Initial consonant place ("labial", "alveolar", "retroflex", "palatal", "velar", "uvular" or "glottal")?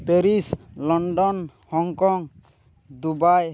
labial